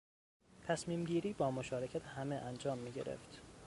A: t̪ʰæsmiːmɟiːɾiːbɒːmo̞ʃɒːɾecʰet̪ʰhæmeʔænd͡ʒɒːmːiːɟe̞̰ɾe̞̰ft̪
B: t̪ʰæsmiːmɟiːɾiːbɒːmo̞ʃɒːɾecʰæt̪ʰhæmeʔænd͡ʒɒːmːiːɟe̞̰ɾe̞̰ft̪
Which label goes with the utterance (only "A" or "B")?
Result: B